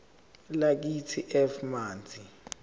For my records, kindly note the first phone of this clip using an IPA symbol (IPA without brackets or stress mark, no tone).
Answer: l